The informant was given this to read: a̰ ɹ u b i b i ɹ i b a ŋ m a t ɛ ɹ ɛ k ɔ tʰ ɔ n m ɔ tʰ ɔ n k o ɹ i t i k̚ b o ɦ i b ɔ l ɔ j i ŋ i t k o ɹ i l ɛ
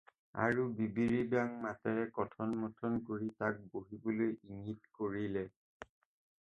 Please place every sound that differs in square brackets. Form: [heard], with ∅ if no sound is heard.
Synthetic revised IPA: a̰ ɹ u b i b i ɹ i b a ŋ m a t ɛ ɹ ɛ k ɔ tʰ ɔ n m ɔ tʰ ɔ n k o ɹ i t [a] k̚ b o ɦ i b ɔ l [o] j i ŋ i t k o ɹ i l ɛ